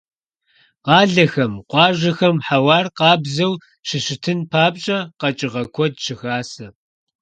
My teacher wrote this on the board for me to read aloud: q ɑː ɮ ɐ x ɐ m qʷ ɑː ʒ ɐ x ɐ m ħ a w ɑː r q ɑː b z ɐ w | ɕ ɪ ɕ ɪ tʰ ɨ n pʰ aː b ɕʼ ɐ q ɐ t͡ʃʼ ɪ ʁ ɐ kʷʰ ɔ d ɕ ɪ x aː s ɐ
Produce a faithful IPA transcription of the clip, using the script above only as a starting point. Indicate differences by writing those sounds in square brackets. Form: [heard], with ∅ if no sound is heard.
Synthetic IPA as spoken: q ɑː ɮ ɐ x ɐ m qʷ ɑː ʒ ɐ x ɐ m ħ a w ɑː r q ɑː b z ɐ w | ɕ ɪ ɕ ɪ tʰ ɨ n pʰ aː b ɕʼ ɐ q ɐ t͡ʃʼ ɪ ʁ ɐ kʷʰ ɔ d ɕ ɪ x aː s ɐ